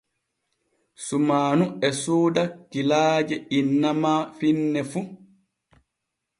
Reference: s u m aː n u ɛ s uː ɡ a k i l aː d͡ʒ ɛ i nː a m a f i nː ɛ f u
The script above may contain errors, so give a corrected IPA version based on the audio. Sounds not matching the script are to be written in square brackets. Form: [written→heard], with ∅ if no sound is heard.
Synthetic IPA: s u m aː n u ɛ s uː [ɡ→d] a k i l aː d͡ʒ ɛ i nː a m a f i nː ɛ f u